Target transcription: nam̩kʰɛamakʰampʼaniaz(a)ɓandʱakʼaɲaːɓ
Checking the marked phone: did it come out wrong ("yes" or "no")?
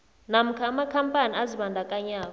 yes